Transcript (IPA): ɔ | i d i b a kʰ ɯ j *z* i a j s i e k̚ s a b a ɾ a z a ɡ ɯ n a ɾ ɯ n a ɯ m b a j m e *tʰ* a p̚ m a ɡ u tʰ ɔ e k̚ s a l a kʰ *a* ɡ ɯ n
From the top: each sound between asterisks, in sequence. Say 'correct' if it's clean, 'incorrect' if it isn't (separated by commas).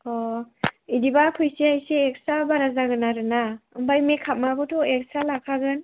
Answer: incorrect, incorrect, correct